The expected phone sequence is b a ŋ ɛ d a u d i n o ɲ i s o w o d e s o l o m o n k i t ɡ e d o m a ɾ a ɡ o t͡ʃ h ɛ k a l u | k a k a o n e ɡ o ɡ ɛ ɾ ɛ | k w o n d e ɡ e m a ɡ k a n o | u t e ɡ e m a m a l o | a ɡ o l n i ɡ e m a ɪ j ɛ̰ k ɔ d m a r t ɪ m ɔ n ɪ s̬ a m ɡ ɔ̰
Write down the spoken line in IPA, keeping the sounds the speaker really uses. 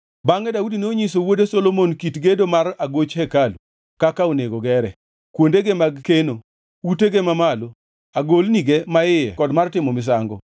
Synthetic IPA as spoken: b a ŋ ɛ d a u d i n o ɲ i s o w o d e s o l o m o n k i t ɡ e d o m a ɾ a ɡ o t͡ʃ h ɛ k a l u | k a k a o n e ɡ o ɡ ɛ ɾ ɛ | k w o n d e ɡ e m a ɡ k e n o | u t e ɡ e m a m a l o | a ɡ o l n i ɡ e m a ɪ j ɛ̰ k ɔ d m a r t ɪ m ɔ m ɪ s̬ a ŋ ɡ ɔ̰

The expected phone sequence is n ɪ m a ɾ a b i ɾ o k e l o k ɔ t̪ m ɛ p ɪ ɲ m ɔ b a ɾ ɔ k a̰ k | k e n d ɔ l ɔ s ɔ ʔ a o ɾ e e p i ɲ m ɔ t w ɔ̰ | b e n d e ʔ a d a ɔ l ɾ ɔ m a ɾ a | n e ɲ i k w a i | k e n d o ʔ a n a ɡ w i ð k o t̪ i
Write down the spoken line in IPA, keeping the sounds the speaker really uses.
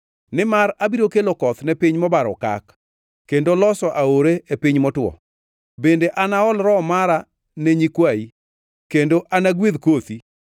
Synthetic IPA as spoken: n ɪ m a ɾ a b i ɾ o k e l o k ɔ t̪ n ɛ p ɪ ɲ m ɔ b a ɾ ɔ k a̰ k | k e n d o l ɔ s ɔ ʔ a o ɾ e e p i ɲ m ɔ t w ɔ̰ | b e n d e ʔ a n a ɔ l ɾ ɔ m a ɾ a | n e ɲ i k w a i | k e n d o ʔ a n a ɡ w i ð k o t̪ i

